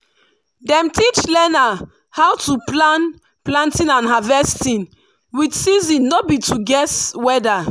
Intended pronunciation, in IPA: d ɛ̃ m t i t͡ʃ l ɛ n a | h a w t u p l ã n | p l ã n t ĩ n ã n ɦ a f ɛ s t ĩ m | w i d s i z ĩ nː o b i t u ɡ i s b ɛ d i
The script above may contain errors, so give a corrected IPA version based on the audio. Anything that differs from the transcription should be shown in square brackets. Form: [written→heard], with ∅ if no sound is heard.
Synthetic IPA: d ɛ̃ m t i t͡ʃ l ɛ n a | h a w t u p l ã n | p l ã n t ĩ n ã n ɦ a [f→v] ɛ s t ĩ [m→n] | w i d s i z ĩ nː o b i t u ɡ [i→ɛ] s [b→w] ɛ d [i→a]